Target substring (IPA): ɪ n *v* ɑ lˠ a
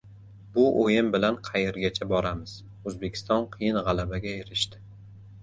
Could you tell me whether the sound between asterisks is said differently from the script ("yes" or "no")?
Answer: yes